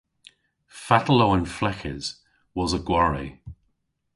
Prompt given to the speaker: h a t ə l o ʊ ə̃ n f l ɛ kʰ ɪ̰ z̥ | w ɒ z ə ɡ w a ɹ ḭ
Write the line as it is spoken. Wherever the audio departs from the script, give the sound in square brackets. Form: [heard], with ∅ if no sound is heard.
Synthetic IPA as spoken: [f] a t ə l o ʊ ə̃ n f l ɛ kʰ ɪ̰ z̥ | w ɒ z ə ɡ w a ɹ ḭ